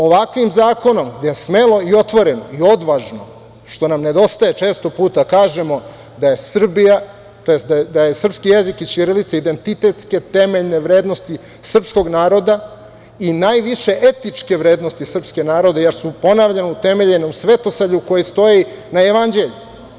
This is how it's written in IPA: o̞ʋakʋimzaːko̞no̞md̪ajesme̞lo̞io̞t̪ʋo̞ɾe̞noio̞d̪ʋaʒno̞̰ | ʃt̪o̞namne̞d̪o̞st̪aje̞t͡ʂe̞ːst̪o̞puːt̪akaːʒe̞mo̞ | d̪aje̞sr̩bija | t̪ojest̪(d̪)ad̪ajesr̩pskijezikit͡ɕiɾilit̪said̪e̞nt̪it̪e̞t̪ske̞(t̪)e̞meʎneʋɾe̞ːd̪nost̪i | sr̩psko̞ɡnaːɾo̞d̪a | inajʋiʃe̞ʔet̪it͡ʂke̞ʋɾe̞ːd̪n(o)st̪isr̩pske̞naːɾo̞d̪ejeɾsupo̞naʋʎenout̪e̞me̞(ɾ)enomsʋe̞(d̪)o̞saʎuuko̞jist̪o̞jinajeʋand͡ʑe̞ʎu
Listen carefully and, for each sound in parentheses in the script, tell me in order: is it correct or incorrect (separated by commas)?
correct, correct, correct, incorrect, incorrect